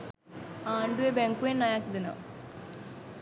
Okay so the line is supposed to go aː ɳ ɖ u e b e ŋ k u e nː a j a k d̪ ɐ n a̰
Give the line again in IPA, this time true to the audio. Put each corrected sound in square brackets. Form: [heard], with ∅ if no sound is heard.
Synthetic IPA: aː ɳ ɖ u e b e ŋ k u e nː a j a k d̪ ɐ n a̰